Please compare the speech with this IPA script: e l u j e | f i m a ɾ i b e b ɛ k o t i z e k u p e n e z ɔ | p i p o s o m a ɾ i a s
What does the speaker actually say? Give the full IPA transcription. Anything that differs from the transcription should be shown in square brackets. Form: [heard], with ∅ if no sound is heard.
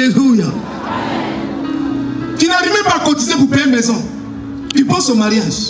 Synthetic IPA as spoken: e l u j [a] | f i [n] a ɾ i [m] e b [a] k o t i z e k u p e [m] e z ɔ | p i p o s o m a ɾ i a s

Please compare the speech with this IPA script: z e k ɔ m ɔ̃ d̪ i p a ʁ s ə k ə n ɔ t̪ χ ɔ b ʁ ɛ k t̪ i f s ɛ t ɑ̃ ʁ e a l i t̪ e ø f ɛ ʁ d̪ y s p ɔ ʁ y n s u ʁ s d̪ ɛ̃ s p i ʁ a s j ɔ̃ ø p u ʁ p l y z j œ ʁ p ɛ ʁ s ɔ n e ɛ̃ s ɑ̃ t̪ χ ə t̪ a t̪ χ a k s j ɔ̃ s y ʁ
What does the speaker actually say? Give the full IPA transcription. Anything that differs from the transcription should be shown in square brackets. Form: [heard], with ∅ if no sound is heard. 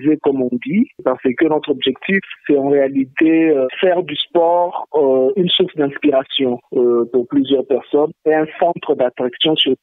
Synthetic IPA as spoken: z e k ɔ m ɔ̃ d̪ i p a ʁ s ə k ə n ɔ t̪ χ ɔ b [ʒ] ɛ k t̪ i f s ɛ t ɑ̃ ʁ e a l i t̪ e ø f ɛ ʁ d̪ y s p ɔ ʁ y n s u ʁ s d̪ ɛ̃ s p i ʁ a s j ɔ̃ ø p u ʁ p l y z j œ ʁ p ɛ ʁ s ɔ n e ɛ̃ s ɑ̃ t̪ χ ə [d̪] a t̪ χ a k s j ɔ̃ s y ʁ

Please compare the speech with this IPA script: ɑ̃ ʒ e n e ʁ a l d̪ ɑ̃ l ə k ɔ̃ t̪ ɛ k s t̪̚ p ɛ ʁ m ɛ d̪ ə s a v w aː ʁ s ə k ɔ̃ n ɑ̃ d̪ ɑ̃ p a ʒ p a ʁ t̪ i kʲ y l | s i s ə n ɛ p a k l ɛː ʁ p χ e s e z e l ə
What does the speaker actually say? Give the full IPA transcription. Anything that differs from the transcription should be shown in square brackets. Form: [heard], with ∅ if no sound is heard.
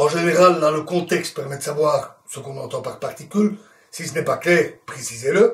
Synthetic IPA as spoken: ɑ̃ ʒ e n e ʁ a l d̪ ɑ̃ l ə k ɔ̃ t̪ ɛ k s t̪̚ p ɛ ʁ m ɛ d̪ ə s a v w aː ʁ s ə k ɔ̃ n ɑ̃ [t̪] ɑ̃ p a [ʁ] p a ʁ t̪ i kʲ y l | s i s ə n ɛ p a k l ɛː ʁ p χ e s [i] z e l ə

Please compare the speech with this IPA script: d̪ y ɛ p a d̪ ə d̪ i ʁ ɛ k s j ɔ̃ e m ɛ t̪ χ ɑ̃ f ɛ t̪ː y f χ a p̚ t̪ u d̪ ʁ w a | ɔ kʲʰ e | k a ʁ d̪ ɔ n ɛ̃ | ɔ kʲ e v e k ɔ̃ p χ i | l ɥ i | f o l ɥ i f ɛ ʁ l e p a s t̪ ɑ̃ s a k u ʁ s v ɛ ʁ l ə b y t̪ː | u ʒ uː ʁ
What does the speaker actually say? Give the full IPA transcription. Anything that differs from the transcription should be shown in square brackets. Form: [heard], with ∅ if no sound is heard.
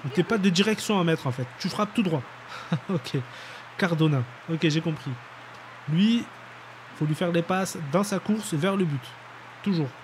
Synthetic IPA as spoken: [t̪] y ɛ p a d̪ ə d̪ i ʁ ɛ k s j ɔ̃ [a] m ɛ t̪ χ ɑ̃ f ɛ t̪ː y f χ a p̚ t̪ u d̪ ʁ w a | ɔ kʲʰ e | k a ʁ d̪ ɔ n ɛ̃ | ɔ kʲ e [ʒ] e k ɔ̃ p χ i | l ɥ i | f o l ɥ i f ɛ ʁ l e p a s [d̪] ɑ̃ s a k u ʁ s v ɛ ʁ l ə b y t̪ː | u ʒ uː ʁ

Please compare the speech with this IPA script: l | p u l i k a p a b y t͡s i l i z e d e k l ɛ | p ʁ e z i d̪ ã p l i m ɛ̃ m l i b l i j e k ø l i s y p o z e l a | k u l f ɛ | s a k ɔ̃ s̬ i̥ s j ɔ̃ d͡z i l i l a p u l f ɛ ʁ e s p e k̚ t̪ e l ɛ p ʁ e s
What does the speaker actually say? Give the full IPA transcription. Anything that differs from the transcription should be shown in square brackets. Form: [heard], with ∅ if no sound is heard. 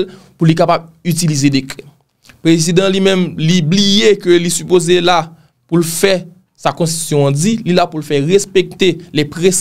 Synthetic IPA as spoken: l | p u l i k a p a b y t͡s i l i z e d e k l ɛ | p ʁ e z i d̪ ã [∅] l i m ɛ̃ m l i b l i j e k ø l i s y p o z e l a | [p] u l f ɛ | s a k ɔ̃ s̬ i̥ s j ɔ̃ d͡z i l i l a p u l f ɛ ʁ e s p e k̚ t̪ e l ɛ p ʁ e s

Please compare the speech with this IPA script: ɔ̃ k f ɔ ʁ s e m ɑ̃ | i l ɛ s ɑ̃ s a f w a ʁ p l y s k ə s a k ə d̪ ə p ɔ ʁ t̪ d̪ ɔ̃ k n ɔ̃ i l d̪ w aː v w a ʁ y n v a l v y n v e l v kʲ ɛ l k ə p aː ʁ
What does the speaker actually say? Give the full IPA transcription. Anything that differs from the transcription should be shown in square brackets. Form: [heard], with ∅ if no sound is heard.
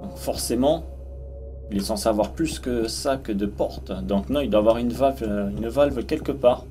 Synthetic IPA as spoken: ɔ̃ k f ɔ ʁ s e m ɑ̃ | i l ɛ s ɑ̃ s a [v] w a ʁ p l y s k ə s a k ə d̪ ə p ɔ ʁ t̪ d̪ ɔ̃ k n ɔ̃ i l d̪ w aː v w a ʁ y n v a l v y n v [a] l v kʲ ɛ l k ə p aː ʁ

